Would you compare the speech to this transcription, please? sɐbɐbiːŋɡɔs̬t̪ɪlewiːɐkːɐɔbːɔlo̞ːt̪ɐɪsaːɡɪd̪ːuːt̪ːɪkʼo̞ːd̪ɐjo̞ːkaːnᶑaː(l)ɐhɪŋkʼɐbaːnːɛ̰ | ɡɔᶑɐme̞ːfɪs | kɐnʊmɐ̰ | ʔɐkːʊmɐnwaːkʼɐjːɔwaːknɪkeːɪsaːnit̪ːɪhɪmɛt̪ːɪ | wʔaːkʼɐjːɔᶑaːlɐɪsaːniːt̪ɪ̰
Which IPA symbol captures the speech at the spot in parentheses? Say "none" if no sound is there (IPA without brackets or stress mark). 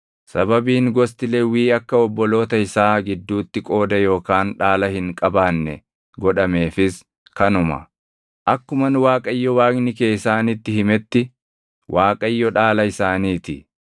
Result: l